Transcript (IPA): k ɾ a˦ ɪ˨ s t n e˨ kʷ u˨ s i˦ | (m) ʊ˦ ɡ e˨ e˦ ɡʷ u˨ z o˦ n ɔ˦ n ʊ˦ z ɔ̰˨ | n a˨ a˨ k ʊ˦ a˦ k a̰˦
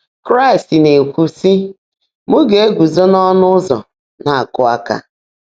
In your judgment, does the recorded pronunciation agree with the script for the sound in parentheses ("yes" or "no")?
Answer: yes